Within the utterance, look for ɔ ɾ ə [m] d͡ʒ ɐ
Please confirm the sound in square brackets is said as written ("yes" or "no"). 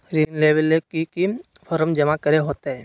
yes